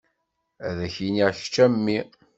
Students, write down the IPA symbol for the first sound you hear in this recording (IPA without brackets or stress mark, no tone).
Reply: æ